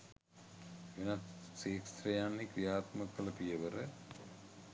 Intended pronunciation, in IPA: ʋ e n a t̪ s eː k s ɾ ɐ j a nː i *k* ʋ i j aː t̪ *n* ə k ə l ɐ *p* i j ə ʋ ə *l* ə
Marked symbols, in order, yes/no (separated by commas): yes, no, yes, no